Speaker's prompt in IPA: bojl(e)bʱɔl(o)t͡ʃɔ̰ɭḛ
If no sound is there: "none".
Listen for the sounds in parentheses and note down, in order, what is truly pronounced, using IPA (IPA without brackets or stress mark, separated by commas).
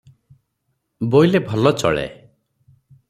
e, ɔ